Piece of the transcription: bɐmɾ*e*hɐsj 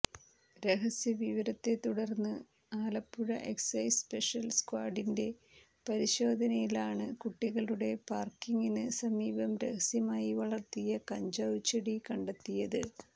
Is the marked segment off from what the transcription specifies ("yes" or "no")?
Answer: no